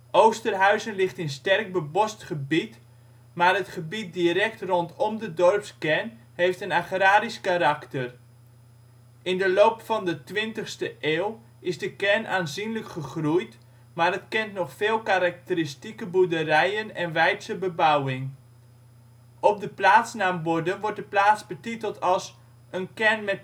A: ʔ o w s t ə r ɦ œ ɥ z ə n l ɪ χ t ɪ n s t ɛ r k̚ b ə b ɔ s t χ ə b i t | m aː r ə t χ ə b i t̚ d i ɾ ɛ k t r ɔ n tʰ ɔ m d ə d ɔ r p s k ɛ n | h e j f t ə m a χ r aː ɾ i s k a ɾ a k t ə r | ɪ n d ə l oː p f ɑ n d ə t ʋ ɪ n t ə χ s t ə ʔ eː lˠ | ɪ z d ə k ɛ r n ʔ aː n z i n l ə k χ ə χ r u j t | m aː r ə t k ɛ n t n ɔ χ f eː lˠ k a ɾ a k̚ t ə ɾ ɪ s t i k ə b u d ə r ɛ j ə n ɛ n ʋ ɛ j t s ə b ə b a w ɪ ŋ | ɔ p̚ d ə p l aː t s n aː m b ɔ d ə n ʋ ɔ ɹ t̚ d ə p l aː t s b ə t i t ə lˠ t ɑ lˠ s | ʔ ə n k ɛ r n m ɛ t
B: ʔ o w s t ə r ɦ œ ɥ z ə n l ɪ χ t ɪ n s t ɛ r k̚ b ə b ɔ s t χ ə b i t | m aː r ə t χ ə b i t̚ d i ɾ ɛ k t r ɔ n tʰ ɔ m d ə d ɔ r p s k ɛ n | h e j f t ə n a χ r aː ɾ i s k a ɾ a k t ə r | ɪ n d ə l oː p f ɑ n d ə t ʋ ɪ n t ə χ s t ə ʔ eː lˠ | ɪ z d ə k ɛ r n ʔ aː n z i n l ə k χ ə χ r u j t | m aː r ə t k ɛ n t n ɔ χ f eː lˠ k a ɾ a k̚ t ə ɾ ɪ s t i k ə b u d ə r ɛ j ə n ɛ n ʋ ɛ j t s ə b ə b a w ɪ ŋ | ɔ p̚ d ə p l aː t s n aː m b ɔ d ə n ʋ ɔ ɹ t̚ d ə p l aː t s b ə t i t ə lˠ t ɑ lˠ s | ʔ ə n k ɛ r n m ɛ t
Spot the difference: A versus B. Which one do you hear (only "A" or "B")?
B